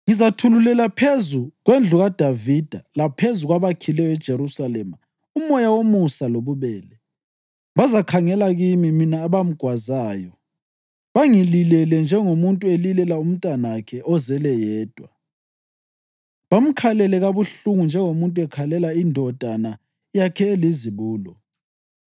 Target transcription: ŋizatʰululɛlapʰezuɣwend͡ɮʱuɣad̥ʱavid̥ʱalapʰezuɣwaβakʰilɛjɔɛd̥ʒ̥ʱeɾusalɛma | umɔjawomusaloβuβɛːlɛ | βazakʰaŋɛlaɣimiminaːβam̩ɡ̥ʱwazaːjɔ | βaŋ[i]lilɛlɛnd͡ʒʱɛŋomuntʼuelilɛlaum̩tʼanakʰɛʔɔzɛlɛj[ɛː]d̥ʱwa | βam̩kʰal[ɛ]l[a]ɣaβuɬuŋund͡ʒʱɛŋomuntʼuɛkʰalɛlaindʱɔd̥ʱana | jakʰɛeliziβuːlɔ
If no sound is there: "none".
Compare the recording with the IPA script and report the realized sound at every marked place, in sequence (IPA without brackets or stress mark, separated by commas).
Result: i, ɛː, ɛ, ɛ